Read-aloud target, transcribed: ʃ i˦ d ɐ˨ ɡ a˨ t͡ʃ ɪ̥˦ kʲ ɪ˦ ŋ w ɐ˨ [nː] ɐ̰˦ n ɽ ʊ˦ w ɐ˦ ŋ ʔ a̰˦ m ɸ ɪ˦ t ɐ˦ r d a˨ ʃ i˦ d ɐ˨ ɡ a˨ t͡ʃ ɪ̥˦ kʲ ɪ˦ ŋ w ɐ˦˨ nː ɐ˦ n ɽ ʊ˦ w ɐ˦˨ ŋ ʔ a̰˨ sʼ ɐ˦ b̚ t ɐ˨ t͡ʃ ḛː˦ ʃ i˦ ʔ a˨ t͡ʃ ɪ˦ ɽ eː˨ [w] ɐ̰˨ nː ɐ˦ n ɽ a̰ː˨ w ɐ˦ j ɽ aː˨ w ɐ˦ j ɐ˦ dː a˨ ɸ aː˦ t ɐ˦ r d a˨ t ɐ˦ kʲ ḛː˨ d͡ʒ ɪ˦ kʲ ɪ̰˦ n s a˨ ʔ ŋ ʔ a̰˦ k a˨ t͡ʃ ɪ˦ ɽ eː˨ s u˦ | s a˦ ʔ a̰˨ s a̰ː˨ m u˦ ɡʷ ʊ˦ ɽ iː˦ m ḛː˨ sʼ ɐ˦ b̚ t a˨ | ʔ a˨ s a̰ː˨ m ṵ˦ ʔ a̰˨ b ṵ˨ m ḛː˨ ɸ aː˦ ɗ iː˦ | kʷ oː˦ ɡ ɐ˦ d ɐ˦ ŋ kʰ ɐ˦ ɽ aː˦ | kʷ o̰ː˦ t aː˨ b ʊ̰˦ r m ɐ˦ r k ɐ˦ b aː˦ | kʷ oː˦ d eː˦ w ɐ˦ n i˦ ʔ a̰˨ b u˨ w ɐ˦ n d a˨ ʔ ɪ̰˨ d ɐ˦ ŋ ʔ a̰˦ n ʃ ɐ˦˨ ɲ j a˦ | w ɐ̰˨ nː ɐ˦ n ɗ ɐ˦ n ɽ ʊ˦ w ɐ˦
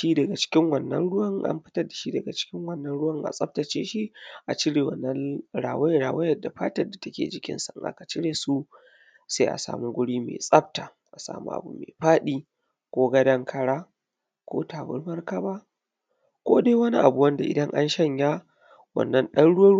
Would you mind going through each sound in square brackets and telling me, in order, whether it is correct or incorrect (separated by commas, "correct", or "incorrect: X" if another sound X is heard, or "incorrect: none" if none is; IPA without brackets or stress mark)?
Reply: correct, correct